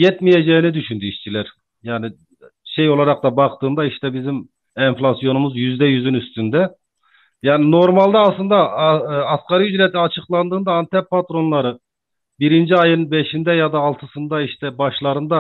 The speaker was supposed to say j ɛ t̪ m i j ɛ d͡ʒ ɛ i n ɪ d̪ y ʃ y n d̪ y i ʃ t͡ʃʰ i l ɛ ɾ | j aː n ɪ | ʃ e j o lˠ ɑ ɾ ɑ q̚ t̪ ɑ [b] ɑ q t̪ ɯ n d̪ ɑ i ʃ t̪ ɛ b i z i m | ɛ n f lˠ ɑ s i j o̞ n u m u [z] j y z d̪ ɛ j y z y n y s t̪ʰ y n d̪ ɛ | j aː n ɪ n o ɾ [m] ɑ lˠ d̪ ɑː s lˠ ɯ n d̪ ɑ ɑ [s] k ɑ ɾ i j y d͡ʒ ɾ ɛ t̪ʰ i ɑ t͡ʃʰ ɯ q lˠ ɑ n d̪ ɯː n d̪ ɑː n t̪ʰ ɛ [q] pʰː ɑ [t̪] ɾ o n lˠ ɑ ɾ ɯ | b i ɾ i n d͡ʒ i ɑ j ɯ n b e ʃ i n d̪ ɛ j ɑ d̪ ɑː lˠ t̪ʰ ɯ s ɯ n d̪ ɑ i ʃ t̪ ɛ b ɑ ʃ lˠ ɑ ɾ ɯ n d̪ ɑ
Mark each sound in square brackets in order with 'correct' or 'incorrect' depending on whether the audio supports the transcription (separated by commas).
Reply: correct, correct, correct, correct, incorrect, correct